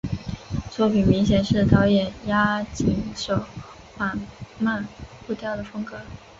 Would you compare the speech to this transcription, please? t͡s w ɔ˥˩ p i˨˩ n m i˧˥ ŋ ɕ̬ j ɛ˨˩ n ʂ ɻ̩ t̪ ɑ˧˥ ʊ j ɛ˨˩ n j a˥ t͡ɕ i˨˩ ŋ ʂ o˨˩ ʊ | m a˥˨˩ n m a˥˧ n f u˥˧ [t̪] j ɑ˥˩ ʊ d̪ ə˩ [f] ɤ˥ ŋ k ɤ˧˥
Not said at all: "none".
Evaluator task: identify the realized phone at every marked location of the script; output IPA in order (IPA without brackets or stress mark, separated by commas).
t̪, f